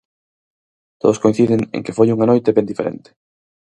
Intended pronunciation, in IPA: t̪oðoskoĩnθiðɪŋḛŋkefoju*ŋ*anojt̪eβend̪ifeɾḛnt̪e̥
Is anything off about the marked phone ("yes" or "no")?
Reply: no